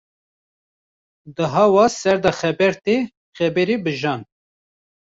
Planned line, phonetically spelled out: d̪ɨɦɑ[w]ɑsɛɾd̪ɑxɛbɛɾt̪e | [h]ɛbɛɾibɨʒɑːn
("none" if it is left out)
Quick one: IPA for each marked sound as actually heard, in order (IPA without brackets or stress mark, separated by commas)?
w, x